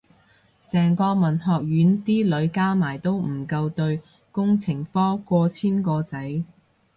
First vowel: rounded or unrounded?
unrounded